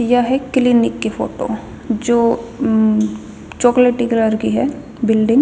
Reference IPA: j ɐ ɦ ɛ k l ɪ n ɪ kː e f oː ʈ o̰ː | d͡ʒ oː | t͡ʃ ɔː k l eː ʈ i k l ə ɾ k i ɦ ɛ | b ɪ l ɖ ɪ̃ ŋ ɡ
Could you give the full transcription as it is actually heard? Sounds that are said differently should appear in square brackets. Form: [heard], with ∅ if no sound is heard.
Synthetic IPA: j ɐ ɦ ɛ k l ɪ n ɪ kː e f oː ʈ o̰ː | d͡ʒ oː | t͡ʃ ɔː k l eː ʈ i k l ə ɾ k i ɦ ɛ | b ɪ l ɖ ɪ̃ ŋ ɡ